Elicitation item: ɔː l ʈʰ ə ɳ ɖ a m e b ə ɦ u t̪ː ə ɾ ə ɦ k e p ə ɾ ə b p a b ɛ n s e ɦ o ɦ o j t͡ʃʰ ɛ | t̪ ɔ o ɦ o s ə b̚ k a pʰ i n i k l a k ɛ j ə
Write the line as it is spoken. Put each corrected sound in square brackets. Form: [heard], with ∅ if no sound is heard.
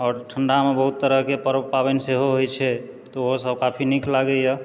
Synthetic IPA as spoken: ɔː [ɾ] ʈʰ ə ɳ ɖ a m e b ə ɦ u t̪ː ə ɾ ə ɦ k e p ə ɾ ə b p a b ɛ n s e ɦ o ɦ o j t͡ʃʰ ɛ | t̪ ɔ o ɦ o s ə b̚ k a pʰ i n i k l a [ɡ] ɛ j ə

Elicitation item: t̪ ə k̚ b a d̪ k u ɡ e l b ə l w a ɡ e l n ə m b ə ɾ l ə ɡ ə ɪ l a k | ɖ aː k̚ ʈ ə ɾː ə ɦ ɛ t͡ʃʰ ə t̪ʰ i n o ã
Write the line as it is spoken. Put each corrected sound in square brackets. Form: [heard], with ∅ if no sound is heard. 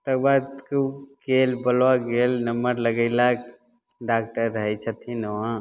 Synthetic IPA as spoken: t̪ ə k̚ b a d̪ k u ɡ e l b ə l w a ɡ e l n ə m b ə ɾ l ə ɡ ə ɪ l a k | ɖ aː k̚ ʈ ə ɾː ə ɦ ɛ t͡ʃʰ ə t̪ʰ i n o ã

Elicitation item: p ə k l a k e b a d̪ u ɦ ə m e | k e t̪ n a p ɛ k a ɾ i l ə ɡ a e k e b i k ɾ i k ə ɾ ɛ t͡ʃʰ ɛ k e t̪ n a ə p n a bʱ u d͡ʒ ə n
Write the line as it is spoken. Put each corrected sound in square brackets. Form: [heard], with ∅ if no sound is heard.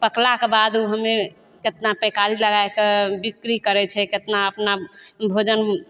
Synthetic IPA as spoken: p ə k l a k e b a d̪ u ɦ ə m e | k e t̪ n a p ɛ k a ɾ i l ə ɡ a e k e b i k ɾ i k ə ɾ ɛ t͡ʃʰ ɛ k e t̪ n a ə p n a bʱ [o] d͡ʒ ə n

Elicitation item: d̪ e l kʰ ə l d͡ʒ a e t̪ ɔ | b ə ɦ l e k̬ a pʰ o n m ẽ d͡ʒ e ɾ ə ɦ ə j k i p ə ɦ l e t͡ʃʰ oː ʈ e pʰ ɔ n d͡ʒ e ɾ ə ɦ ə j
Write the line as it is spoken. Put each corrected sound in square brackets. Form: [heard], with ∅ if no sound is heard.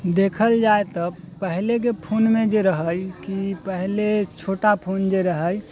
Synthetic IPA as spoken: d̪ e [∅] kʰ ə l d͡ʒ a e t̪ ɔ | [p] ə ɦ l e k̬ [e] pʰ o n m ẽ d͡ʒ e ɾ ə ɦ ə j k i p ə ɦ l e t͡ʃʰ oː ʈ [a] pʰ [o] n d͡ʒ e ɾ ə ɦ ə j

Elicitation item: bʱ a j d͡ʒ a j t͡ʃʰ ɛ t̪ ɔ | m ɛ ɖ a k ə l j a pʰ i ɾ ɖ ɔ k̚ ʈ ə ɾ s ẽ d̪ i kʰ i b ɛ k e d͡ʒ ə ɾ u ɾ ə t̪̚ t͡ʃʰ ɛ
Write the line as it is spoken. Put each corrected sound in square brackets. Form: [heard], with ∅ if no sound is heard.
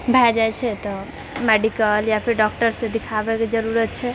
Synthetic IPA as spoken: bʱ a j d͡ʒ a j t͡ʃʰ ɛ t̪ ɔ | m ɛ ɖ [i] k ə l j a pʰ i ɾ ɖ ɔ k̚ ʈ ə ɾ s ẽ d̪ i kʰ [a] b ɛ k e d͡ʒ ə ɾ u ɾ ə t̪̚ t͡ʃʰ ɛ

